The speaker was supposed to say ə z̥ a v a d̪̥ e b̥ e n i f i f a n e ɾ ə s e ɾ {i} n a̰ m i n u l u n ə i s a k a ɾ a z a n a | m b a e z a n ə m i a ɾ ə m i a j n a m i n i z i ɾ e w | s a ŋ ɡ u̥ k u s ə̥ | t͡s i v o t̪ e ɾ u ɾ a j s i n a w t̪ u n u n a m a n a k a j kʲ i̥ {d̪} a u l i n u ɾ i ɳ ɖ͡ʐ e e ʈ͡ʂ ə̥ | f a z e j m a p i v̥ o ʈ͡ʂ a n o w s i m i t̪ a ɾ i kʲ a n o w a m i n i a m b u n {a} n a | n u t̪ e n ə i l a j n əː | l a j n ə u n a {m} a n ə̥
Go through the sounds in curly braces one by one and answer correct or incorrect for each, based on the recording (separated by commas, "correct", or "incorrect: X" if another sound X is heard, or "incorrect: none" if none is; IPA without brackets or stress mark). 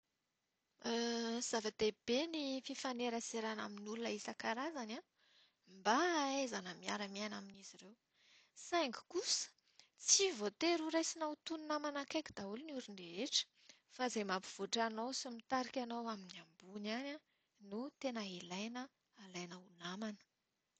incorrect: a, correct, correct, correct